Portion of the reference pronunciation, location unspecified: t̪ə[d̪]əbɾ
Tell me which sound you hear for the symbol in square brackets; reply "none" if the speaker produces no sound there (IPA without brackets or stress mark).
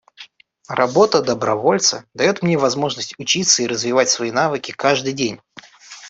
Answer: d̪